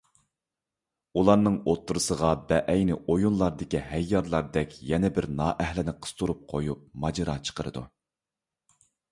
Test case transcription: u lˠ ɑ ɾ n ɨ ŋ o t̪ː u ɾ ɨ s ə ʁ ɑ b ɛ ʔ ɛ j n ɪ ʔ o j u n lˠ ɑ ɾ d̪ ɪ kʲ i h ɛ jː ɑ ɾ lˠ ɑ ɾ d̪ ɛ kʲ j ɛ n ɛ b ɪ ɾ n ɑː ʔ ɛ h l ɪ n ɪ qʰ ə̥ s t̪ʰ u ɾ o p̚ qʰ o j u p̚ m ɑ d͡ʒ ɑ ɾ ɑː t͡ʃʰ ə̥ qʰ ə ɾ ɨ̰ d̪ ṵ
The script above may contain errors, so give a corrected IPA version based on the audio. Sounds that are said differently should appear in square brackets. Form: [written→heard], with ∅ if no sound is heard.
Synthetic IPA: u lˠ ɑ ɾ n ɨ ŋ o t̪ː u ɾ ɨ s ə ʁ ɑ b ɛ ʔ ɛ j n ɪ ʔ o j u n lˠ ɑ ɾ d̪ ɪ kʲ i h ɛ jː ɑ ɾ lˠ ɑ ɾ d̪ ɛ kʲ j ɛ n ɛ b ɪ ɾ n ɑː ʔ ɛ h l ɪ n ɪ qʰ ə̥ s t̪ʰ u ɾ [o→u] p̚ qʰ o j u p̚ m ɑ d͡ʒ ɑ ɾ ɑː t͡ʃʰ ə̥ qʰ ə ɾ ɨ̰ d̪ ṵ